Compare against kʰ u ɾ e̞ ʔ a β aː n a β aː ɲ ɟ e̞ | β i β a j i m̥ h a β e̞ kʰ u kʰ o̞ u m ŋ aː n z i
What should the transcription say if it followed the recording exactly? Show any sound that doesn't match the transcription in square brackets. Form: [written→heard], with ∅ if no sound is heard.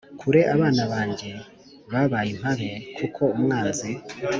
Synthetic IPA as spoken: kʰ u ɾ e̞ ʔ a β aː n a β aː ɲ ɟ e̞ | β [i→a] β a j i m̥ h a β e̞ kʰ u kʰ o̞ u m ŋ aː n z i

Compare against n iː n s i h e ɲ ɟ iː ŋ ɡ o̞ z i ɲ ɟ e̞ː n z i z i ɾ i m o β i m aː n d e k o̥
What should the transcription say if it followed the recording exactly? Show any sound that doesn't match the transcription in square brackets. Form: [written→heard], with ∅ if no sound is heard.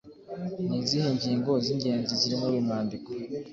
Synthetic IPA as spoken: n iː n [s→z] i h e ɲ ɟ iː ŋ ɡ o̞ z i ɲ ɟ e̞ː n z i z i ɾ i m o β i m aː n d [e→i] k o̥

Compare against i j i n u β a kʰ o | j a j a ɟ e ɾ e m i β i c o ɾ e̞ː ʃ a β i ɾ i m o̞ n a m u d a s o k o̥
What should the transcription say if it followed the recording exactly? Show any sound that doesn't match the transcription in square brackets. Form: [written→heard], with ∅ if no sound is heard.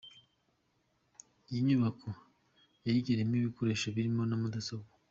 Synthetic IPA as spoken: i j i [n→ɲ] u β a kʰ o | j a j [a→i] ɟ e ɾ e m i β i [c→k] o ɾ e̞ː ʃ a β i ɾ i m o̞ n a m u d a s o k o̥

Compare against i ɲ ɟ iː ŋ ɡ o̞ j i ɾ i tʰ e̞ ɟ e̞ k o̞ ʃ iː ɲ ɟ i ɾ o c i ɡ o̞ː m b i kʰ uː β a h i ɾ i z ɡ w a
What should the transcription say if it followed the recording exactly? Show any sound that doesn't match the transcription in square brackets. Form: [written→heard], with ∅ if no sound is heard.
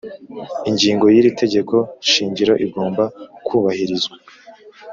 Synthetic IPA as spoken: i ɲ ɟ iː ŋ ɡ o̞ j i ɾ i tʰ e̞ ɟ e̞ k o̞ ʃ iː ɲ ɟ i ɾ o [c→ʔ] i ɡ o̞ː m b [i→a] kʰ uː β a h i ɾ i z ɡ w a

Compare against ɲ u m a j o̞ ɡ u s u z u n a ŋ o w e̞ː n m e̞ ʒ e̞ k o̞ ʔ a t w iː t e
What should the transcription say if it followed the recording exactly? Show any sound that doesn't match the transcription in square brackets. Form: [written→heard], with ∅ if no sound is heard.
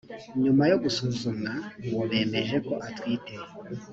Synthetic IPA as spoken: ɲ u m a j o̞ ɡ u s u z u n a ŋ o [w→β] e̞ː [n→∅] m e̞ ʒ e̞ k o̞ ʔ a t w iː t e

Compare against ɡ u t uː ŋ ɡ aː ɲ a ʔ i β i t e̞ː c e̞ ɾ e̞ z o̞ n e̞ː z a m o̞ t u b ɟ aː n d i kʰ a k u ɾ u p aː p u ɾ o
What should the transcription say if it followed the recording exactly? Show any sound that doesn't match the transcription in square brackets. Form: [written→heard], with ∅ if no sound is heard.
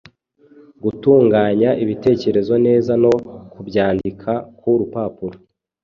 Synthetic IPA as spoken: ɡ u t uː ŋ ɡ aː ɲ a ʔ i β i t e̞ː c e̞ ɾ e̞ z o̞ n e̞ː z a [m→n] o̞ [t→k] u b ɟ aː n d i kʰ a k u ɾ u p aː p u ɾ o

